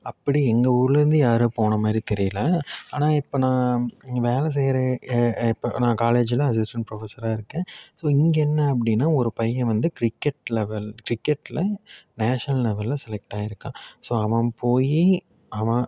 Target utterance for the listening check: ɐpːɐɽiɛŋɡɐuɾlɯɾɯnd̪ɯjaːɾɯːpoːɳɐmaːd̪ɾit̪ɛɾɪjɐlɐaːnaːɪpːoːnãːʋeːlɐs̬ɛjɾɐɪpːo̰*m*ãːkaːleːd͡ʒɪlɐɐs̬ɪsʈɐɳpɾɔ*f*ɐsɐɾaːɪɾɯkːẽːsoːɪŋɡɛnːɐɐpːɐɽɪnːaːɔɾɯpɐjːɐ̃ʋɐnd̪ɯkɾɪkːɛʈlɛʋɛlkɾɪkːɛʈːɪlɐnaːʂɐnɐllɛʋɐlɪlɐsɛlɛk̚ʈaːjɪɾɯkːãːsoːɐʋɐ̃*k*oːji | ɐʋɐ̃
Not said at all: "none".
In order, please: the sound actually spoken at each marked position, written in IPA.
n, f, p

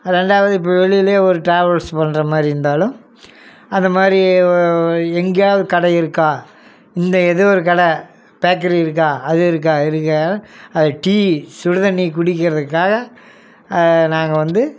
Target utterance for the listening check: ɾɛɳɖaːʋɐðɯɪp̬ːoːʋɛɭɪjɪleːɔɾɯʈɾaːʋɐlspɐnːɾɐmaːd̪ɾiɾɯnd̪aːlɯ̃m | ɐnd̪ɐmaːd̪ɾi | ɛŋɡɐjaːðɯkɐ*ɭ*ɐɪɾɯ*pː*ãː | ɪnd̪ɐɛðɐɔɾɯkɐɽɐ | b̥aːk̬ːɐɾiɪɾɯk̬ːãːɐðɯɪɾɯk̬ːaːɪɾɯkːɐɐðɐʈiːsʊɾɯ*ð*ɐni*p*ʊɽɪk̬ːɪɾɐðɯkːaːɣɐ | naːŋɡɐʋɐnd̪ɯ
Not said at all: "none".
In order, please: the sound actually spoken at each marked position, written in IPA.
ɽ, kː, ð, k

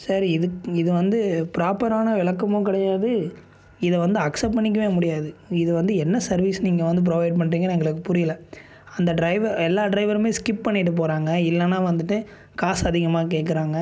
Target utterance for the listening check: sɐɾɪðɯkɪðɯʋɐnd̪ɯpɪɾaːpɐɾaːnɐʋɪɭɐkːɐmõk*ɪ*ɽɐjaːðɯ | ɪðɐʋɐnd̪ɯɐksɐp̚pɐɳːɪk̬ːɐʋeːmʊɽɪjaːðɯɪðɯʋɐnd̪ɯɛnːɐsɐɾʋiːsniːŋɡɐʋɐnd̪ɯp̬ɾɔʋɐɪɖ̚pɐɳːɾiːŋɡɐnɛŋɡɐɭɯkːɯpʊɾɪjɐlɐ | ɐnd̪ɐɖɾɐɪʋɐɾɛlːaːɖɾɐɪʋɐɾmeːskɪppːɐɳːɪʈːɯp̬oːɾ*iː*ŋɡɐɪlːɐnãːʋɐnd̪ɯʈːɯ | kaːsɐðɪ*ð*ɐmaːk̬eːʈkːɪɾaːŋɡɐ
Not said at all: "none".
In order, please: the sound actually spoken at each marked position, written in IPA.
ɪ, aː, ɣ

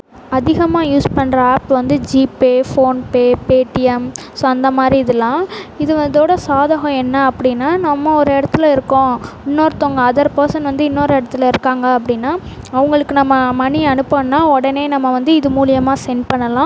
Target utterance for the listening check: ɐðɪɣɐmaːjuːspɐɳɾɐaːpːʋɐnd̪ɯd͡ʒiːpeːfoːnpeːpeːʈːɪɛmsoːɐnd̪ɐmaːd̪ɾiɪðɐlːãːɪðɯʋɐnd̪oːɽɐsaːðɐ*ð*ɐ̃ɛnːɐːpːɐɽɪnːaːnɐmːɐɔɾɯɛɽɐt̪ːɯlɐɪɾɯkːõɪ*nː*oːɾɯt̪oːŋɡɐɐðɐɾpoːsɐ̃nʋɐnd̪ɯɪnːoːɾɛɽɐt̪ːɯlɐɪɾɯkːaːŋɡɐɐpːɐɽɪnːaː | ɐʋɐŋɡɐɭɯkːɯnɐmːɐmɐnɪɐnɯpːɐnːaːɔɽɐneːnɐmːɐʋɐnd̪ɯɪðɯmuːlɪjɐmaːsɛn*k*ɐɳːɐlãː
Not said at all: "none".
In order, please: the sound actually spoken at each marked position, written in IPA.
ɣ, nː, p

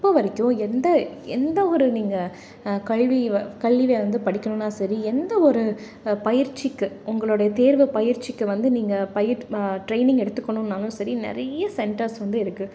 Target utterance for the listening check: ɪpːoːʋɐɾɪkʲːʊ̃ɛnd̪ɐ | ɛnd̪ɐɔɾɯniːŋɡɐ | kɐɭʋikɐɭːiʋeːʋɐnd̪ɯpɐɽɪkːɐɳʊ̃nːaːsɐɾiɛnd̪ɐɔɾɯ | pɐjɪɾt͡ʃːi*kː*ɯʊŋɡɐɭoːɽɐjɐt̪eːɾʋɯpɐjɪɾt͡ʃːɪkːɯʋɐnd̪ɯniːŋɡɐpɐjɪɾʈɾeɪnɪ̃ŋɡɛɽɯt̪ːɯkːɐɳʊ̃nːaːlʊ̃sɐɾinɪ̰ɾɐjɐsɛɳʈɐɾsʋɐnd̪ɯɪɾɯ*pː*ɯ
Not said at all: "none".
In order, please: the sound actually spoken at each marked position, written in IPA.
kː, kː

